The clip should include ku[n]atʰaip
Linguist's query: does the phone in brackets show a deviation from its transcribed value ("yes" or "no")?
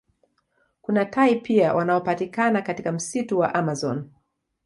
no